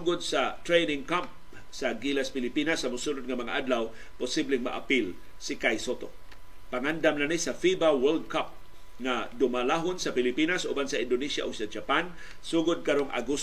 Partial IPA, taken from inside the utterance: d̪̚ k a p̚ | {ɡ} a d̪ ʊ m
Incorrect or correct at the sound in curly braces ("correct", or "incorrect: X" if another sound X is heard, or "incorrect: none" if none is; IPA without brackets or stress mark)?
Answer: incorrect: ŋ